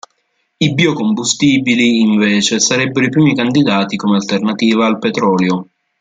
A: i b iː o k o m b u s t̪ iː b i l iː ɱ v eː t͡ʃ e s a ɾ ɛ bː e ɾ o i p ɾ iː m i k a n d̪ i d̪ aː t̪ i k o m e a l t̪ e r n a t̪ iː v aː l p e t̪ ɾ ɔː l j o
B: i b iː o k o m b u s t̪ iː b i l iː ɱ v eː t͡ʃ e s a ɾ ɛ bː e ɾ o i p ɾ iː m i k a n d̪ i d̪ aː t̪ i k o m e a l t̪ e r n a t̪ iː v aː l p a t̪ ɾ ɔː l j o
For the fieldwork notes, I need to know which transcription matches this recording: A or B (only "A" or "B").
A